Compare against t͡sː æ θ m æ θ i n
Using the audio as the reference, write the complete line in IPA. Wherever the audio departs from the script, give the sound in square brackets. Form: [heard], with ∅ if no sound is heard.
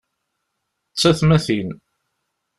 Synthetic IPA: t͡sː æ θ m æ θ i n

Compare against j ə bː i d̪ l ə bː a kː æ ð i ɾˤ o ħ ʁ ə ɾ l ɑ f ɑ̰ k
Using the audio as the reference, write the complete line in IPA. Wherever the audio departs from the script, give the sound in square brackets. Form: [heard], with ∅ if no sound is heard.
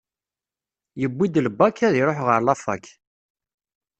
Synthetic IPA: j ə bː i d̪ l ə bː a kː æ ð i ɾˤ o ħ ʁ ə ɾ l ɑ f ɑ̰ k

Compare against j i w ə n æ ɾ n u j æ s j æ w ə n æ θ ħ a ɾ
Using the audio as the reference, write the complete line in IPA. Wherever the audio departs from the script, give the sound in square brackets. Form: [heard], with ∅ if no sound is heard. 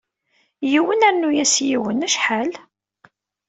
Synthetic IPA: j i w ə n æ ɾ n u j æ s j [i] w ə n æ [ʃ] ħ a [l]

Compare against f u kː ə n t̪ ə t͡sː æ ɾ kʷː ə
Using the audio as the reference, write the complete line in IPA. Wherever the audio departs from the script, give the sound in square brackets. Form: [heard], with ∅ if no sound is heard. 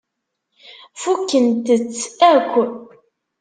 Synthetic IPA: f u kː ə n t̪ ə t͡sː æ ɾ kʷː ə

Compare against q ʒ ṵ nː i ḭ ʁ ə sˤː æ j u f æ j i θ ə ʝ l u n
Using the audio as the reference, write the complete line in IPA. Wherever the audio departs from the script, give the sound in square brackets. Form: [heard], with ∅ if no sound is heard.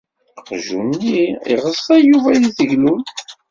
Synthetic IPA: q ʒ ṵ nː i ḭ ʁ ə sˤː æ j u [v] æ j i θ ə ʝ l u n

